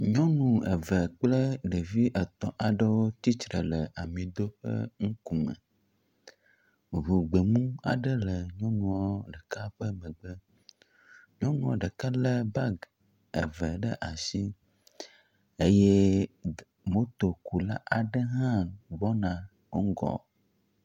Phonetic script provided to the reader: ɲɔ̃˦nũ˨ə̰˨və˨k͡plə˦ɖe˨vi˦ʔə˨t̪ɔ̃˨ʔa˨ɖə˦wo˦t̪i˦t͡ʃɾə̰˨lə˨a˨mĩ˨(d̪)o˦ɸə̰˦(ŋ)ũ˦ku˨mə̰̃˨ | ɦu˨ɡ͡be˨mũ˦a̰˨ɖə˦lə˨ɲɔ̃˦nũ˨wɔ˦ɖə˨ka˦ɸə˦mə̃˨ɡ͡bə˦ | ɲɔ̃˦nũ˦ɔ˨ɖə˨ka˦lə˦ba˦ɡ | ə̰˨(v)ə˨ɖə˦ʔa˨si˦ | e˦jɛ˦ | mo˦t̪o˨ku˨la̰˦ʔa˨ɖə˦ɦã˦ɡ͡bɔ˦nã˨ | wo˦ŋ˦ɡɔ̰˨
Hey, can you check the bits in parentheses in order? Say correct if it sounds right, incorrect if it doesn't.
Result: correct, correct, correct

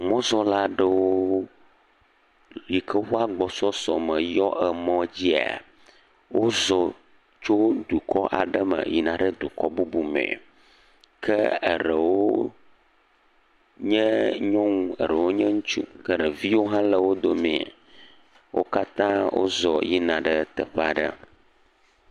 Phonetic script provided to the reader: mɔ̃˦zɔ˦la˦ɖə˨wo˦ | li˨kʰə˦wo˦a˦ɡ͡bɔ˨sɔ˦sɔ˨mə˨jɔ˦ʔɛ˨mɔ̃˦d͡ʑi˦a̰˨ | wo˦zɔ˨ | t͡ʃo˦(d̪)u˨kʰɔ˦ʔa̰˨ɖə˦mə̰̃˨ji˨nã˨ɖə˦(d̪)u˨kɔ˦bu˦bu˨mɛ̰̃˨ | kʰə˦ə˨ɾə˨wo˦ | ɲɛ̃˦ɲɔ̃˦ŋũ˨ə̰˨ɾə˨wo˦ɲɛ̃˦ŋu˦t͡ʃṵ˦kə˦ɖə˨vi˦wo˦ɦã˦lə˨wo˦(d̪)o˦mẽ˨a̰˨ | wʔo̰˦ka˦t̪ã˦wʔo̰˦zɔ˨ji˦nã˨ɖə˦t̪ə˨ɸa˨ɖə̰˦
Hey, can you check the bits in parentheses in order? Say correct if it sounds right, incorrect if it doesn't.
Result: correct, correct, correct

